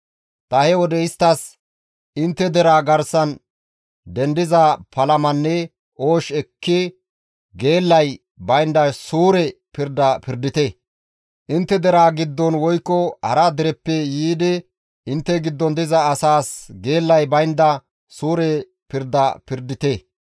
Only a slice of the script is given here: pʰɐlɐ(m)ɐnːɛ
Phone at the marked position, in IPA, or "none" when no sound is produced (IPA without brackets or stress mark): m